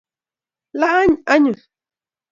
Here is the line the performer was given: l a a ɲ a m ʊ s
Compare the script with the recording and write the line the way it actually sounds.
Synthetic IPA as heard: l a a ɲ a ɲ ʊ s